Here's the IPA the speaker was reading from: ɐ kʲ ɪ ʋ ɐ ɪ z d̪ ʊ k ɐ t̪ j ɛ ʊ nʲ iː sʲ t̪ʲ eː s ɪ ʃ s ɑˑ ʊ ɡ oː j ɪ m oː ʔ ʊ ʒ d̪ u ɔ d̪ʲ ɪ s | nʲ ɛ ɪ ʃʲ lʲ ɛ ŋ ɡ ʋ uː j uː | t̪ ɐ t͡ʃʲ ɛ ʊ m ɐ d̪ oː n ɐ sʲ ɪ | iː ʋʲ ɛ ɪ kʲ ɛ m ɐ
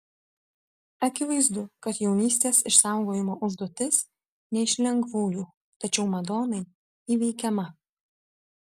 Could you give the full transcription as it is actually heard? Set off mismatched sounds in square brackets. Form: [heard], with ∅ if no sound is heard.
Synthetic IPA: ɐ kʲ ɪ ʋ ɐ ɪ z d̪ ʊ k ɐ t̪ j ɛ ʊ nʲ iː sʲ t̪ʲ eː s ɪ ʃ s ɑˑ ʊ ɡ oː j ɪ m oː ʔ ʊ ʒ d̪ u ɔ [t̪ʲ] ɪ s | nʲ ɛ ɪ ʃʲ lʲ ɛ ŋ ɡ ʋ uː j uː | t̪ ɐ t͡ʃʲ ɛ ʊ m ɐ d̪ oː n ɐ [∅] ɪ | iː ʋʲ ɛ ɪ kʲ ɛ m ɐ